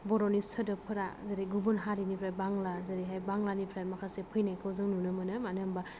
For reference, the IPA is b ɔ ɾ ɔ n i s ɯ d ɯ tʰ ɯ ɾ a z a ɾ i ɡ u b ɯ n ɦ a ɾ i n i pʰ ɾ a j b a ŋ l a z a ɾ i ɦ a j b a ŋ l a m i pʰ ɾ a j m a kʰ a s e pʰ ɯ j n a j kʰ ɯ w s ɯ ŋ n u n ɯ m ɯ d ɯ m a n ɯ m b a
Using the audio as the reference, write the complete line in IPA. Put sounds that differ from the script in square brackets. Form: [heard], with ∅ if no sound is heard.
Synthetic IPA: b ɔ ɾ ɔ n i s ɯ d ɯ [pʰ] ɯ ɾ a z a ɾ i ɡ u b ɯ n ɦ a ɾ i n i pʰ ɾ a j b a ŋ l a z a ɾ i ɦ a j b a ŋ l a [n] i pʰ ɾ a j m a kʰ a s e pʰ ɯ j n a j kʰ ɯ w [z] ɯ ŋ n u n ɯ m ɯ [n] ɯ m a n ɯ m b a